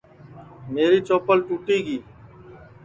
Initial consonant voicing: voiced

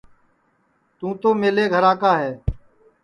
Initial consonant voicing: voiceless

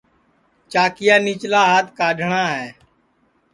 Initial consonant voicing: voiceless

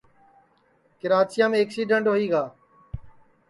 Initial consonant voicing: voiceless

